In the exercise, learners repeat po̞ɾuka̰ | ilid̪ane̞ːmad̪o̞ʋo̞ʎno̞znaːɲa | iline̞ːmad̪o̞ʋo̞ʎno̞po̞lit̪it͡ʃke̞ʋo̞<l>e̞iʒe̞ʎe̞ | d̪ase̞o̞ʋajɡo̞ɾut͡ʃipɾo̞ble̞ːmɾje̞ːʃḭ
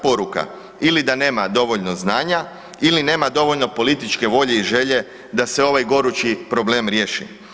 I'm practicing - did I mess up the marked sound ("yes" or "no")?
yes